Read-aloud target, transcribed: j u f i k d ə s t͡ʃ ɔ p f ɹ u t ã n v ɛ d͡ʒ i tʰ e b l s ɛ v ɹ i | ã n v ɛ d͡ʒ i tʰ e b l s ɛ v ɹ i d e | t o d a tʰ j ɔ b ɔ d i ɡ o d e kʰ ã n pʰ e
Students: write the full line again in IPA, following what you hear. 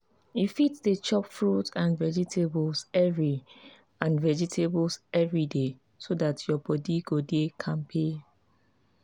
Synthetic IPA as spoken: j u f i t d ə t͡ʃ ɔ p f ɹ u t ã n v ɛ d͡ʒ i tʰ e b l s ɛ v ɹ i | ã n v ɛ d͡ʒ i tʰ e b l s ɛ v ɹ i d e | s o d a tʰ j ɔ b ɔ d i ɡ o d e kʰ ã n pʰ e

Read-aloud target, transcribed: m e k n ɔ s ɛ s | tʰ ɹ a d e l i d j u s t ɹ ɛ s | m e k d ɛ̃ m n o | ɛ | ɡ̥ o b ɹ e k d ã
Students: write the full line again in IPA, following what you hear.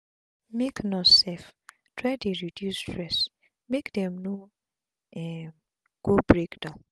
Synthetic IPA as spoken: m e k n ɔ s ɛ f | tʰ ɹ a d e ɹ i d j u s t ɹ ɛ s | m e k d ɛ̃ m n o | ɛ | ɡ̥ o b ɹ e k d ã

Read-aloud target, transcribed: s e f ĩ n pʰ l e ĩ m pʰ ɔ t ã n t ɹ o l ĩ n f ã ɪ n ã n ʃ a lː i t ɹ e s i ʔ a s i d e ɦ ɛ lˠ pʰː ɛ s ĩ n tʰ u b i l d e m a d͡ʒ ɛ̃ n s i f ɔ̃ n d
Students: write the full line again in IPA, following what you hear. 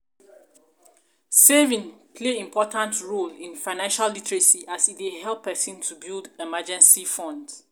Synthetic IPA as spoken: s e v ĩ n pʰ l e ĩ m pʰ ɔ t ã n t ɹ o l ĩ n f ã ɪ n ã n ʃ a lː i t ɹ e s i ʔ a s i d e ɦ ɛ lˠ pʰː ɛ s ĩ n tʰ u b i l d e m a d͡ʒ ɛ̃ n s i f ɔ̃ n d

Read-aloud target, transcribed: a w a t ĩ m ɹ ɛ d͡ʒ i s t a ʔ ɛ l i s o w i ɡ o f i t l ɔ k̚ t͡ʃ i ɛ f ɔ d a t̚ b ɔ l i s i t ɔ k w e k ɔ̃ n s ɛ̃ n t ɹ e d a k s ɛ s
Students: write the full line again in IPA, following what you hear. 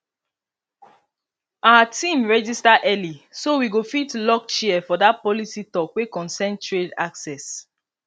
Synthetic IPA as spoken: a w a t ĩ m ɹ ɛ d͡ʒ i s t a ʔ ɛ l i s o w i ɡ o f i t l ɔ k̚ t͡ʃ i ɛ f ɔ d a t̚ p ɔ l i s i t ɔ k w e k ɔ̃ n s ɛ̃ n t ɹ e d a k s ɛ s

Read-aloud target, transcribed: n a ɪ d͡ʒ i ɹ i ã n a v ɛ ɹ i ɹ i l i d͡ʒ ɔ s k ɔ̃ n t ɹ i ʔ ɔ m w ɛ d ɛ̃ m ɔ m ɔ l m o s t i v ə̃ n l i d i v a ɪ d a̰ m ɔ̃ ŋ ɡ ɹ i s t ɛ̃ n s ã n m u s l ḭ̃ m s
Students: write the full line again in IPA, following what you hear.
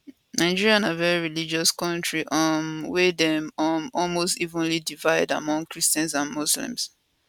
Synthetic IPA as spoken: n a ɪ d͡ʒ i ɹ i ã n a v ɛ ɹ i ɹ i l i d͡ʒ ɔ s k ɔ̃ n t ɹ i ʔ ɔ m w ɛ d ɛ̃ m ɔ m ɔ l m o s t i v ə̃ n l i d i v a ɪ d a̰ m ɔ̃ ŋ k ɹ i s t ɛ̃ n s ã n m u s l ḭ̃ m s

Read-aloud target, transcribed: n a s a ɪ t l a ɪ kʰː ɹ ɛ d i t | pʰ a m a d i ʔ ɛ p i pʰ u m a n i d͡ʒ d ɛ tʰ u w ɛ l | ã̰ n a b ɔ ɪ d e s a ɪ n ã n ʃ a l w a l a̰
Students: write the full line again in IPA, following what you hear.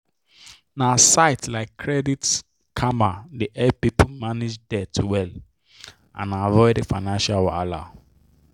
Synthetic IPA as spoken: n a s a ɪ t l a ɪ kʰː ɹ ɛ d i t | kʰ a m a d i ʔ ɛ p i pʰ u m a n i d͡ʒ d ɛ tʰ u w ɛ l | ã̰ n a v ɔ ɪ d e f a ɪ n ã n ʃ a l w a l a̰

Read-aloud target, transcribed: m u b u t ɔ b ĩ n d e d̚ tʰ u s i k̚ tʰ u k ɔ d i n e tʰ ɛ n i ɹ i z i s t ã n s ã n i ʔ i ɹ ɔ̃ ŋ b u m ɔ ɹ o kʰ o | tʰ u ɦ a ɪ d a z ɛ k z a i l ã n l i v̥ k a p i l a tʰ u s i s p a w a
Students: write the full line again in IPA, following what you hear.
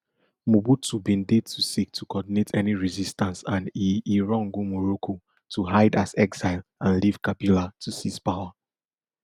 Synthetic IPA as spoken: m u b u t u b ĩ n d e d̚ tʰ u s i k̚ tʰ u k ɔ d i n e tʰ ɛ n i ɹ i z i s t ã n s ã n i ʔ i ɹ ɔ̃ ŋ ɡ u m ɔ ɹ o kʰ o | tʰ u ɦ a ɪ d a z ɛ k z a ɪ l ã n l i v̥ k a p i l a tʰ u s i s p a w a

